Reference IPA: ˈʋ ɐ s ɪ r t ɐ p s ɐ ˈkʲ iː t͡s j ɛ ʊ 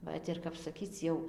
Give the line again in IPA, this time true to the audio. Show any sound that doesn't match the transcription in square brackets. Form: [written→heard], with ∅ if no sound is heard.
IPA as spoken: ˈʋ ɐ [s→t] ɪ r [t→k] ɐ p s ɐ ˈkʲ iː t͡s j ɛ ʊ